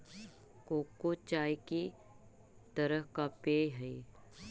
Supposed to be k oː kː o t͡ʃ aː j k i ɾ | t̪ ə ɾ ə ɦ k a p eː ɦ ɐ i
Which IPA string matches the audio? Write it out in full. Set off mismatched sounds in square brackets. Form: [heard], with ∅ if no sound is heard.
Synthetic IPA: k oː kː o t͡ʃ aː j k i [∅] | t̪ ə ɾ ə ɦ k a p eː ɦ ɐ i